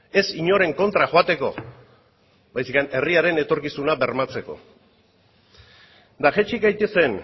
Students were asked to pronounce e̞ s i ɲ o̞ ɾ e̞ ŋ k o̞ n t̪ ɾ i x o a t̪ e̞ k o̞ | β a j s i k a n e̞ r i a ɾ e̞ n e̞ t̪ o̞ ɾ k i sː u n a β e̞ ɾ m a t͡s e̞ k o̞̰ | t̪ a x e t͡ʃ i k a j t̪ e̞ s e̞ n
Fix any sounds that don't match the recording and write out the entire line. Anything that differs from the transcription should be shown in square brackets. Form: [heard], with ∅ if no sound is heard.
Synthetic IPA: e̞ s i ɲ o̞ ɾ e̞ ŋ k o̞ n t̪ ɾ [a] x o a t̪ e̞ k o̞ | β a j s i k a n e̞ r i a ɾ e̞ n e̞ t̪ o̞ ɾ k i [s] u n a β e̞ ɾ m a t͡s e̞ k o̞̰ | [d̪] a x e t͡ʃ i k a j t̪ e̞ s e̞ n